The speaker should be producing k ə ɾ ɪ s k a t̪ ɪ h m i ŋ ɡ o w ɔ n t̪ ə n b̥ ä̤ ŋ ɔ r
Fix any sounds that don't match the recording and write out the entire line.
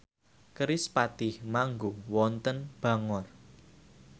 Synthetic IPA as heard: k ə ɾ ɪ s p a t̪ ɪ h m a ŋ ɡ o w ɔ n t̪ ə n b̥ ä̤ ŋ ɔ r